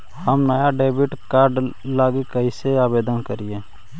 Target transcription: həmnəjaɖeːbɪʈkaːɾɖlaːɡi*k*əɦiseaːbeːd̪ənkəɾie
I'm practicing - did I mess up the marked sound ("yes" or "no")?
no